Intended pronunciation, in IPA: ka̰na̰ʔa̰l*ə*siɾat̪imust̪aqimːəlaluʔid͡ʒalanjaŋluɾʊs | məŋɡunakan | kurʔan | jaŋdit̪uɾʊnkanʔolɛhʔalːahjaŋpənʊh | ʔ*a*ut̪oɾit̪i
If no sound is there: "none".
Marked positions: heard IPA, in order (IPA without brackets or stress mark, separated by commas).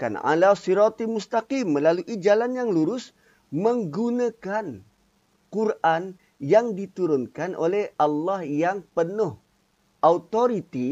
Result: a, a